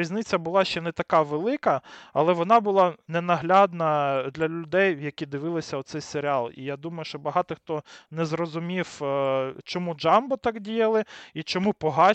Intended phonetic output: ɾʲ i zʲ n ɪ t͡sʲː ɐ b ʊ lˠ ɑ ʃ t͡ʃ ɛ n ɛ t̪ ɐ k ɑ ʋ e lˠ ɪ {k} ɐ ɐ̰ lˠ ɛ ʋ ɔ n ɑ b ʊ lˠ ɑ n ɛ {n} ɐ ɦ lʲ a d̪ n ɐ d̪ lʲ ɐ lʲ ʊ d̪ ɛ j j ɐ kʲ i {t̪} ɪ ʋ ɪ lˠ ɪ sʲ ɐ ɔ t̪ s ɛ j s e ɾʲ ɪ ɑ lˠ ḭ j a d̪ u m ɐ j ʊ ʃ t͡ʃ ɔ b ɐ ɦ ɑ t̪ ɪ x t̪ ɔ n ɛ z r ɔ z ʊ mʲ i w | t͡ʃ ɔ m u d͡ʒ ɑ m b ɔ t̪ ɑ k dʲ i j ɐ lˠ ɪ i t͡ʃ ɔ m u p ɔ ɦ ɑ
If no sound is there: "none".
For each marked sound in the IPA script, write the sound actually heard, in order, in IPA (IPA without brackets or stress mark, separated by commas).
k, n, d̪